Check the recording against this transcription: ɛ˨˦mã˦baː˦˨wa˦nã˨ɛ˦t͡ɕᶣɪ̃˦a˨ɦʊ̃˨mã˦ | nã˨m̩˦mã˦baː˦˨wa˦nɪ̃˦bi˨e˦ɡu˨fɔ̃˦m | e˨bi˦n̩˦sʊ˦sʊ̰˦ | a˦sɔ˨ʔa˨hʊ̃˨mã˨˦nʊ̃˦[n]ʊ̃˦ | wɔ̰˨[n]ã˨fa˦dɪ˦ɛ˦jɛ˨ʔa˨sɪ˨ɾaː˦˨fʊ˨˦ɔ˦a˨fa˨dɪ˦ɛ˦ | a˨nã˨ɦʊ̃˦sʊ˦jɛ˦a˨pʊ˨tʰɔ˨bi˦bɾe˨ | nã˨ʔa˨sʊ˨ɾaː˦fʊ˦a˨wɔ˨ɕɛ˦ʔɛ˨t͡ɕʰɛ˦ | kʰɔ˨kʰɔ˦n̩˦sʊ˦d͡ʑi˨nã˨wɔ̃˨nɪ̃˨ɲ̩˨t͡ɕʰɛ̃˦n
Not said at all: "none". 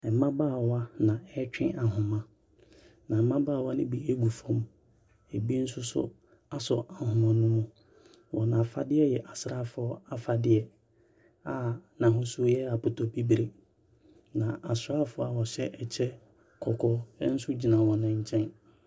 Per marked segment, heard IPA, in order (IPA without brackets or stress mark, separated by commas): m, n